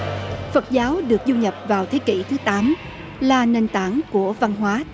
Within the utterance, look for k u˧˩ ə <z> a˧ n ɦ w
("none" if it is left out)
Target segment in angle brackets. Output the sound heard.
v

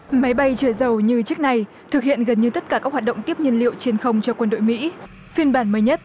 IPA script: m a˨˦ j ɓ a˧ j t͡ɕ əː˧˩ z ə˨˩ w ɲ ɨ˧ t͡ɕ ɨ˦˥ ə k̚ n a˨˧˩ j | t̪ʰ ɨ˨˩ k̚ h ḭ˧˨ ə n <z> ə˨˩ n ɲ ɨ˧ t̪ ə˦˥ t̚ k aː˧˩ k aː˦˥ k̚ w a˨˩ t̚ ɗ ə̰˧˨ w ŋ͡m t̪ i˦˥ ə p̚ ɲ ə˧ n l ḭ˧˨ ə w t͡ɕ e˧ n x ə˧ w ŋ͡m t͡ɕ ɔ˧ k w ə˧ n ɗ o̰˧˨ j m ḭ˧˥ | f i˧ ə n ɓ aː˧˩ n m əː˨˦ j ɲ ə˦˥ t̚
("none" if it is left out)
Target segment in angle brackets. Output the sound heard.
ɣ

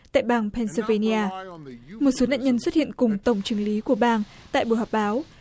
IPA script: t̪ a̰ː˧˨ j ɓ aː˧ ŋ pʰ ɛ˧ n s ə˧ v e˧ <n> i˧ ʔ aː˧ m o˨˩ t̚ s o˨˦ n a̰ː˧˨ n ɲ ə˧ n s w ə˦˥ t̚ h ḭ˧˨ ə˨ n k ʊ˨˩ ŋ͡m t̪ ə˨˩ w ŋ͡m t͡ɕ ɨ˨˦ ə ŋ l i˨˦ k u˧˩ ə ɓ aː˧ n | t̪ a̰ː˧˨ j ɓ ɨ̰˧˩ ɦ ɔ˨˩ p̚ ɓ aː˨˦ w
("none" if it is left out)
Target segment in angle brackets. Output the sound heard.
n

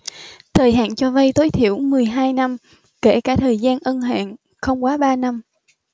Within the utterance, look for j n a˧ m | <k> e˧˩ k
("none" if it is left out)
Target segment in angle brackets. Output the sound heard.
k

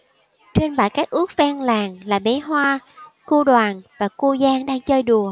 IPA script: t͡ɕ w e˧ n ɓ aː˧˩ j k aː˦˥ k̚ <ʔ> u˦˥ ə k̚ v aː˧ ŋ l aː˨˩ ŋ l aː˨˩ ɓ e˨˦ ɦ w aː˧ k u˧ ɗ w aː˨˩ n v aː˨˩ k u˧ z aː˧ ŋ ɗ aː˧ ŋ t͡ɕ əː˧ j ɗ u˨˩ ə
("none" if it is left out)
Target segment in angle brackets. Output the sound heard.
ʔ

